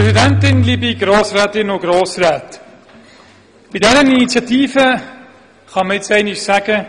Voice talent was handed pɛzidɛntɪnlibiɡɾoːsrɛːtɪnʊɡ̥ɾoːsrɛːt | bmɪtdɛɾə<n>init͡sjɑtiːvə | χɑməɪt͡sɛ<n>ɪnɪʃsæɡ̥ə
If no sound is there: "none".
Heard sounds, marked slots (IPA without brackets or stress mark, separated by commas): n, none